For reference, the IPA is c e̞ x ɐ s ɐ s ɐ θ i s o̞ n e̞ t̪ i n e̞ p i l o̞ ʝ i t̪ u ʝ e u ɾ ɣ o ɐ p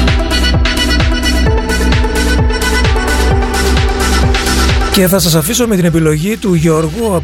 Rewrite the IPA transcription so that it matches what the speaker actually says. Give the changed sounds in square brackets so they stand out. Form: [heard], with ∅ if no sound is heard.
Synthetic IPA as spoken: c e̞ [θ] ɐ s ɐ s ɐ [f] i s o̞ [m] e̞ t̪ i n e̞ p i l o̞ ʝ i t̪ u ʝ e [o] ɾ ɣ [u] ɐ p